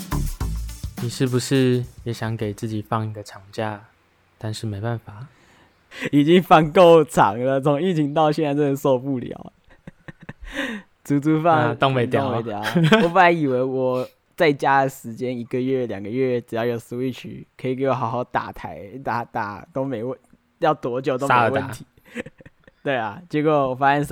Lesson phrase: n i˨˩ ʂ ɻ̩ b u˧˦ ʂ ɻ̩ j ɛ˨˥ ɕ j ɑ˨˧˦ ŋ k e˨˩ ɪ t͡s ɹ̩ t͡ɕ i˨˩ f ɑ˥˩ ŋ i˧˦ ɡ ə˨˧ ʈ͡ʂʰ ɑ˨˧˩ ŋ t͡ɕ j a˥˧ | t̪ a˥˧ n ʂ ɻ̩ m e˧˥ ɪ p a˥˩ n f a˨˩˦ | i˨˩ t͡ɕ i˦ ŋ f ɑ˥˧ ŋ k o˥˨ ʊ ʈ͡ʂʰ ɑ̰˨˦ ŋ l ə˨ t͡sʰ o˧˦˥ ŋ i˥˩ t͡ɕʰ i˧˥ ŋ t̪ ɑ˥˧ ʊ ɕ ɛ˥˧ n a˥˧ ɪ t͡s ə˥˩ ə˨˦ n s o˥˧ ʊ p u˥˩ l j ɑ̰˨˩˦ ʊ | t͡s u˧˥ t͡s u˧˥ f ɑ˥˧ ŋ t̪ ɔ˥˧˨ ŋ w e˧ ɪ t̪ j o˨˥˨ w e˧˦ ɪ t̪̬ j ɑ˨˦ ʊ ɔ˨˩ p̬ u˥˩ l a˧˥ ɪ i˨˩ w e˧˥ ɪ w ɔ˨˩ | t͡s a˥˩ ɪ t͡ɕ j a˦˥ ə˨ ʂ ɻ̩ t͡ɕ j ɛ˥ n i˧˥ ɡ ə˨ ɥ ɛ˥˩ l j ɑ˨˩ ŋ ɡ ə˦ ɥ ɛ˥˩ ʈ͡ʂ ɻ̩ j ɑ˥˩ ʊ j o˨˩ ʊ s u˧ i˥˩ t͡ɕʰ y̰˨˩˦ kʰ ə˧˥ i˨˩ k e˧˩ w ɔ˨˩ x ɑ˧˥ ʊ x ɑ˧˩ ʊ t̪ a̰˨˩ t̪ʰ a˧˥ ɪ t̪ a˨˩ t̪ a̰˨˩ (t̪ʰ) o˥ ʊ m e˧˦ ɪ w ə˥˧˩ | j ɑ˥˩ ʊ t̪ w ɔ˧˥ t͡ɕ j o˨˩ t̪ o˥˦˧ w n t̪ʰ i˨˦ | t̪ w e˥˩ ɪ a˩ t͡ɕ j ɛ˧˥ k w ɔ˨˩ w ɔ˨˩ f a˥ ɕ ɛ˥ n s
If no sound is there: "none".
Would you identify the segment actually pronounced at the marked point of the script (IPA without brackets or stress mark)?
t̪